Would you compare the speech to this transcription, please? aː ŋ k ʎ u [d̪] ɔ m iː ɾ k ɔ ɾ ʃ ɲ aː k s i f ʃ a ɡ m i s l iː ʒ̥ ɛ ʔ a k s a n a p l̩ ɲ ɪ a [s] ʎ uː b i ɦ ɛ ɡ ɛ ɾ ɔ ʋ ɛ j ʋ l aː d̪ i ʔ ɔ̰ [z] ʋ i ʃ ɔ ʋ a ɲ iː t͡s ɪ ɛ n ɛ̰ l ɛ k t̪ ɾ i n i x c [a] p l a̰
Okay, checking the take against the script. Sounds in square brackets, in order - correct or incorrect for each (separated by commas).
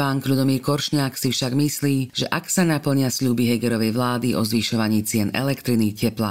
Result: correct, correct, correct, incorrect